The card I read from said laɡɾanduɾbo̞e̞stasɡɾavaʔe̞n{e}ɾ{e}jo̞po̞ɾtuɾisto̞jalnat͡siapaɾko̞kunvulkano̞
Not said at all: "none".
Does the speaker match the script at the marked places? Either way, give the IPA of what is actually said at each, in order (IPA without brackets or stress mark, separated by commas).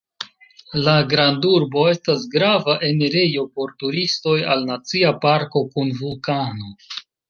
e, e